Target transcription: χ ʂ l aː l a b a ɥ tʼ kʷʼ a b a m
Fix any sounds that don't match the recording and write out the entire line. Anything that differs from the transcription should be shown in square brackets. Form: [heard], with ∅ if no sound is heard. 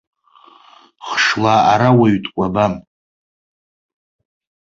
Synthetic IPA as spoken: χ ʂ l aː [ɾ] a [w] a ɥ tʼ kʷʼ a b a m